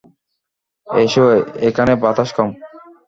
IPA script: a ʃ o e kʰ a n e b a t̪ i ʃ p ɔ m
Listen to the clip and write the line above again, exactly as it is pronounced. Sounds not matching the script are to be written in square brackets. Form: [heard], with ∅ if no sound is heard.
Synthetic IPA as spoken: [e] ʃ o e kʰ a n e b a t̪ [a] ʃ [k] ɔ m